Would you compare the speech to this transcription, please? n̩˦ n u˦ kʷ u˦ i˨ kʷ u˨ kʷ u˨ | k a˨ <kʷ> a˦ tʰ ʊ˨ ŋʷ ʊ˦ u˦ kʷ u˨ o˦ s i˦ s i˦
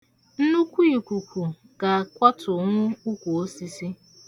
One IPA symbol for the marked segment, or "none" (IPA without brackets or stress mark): kʷ